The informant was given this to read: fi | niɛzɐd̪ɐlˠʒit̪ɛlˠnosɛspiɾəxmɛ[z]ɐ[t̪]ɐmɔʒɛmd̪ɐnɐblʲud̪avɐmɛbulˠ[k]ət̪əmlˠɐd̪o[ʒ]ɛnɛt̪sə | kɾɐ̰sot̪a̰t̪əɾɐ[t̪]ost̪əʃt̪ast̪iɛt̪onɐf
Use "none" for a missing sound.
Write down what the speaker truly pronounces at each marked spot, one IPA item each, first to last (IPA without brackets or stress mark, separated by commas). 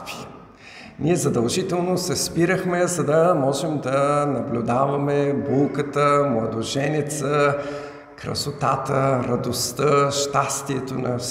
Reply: z, d̪, k, ʒ, d̪